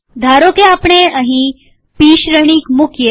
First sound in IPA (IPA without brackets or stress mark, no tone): d̪ʱ